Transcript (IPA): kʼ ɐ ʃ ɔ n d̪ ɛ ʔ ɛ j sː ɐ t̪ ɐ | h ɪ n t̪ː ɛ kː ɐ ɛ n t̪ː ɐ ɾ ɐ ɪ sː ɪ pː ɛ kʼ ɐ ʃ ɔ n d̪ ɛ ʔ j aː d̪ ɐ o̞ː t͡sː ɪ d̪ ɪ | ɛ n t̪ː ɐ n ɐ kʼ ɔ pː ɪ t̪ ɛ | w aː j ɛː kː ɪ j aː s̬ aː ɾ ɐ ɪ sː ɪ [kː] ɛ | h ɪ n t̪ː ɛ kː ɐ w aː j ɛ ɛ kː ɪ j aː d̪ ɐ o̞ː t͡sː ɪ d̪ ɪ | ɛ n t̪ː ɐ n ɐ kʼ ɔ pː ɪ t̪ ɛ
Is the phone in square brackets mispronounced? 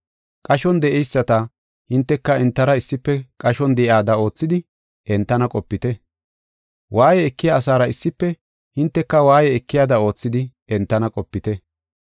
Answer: yes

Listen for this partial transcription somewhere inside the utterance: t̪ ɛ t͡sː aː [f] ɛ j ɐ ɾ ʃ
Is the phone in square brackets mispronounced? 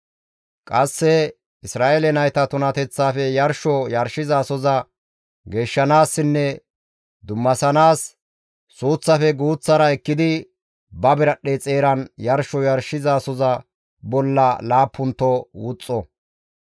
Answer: no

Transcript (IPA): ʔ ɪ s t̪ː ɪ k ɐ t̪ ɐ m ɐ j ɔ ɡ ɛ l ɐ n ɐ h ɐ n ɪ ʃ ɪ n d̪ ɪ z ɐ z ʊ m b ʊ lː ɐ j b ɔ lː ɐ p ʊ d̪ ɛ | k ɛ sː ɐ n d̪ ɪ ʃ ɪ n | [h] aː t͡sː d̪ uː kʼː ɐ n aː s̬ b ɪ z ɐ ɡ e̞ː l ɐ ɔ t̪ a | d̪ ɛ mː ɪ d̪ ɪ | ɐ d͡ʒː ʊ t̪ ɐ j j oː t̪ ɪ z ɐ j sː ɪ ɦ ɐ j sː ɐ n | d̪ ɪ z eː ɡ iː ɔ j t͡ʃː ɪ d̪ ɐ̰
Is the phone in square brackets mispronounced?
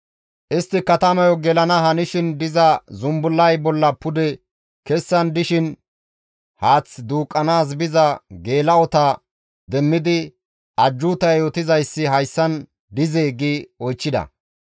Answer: no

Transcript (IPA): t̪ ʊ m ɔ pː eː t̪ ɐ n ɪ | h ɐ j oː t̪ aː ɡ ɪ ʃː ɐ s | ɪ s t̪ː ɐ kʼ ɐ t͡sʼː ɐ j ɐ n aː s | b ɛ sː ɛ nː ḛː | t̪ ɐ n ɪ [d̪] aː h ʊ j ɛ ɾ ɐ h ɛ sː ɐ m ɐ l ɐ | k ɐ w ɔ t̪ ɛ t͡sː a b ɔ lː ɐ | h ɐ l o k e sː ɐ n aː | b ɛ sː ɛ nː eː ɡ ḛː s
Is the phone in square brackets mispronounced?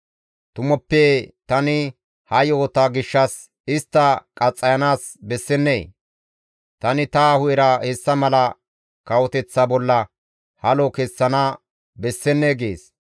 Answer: yes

